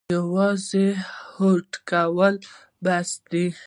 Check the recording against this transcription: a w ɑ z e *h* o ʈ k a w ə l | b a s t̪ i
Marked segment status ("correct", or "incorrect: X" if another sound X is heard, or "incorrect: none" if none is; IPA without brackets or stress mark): correct